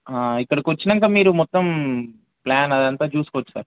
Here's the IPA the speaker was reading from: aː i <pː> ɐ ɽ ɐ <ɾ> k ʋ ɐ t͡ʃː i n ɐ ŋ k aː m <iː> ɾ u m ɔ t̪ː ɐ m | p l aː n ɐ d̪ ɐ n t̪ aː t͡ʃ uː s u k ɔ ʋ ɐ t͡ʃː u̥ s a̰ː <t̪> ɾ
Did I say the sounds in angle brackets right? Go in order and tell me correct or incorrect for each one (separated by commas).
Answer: incorrect, incorrect, correct, incorrect